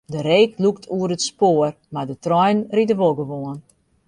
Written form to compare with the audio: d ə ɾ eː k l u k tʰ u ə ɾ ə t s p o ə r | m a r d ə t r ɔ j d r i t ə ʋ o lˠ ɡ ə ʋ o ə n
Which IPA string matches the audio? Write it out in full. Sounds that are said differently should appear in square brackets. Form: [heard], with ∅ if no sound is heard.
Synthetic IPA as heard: d ə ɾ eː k l u k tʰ u ə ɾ ə t s p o ə r | m a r d ə t r ɔ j [n] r i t ə ʋ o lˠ ɡ ə ʋ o ə n